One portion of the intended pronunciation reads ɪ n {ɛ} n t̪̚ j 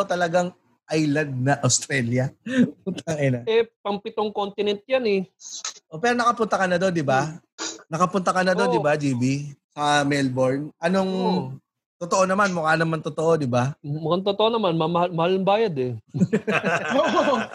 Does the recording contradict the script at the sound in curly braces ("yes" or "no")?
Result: no